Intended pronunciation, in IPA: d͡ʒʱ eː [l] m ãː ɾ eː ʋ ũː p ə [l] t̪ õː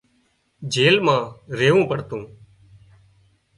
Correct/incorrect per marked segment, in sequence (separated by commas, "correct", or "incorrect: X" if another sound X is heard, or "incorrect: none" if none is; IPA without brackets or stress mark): correct, incorrect: ɽ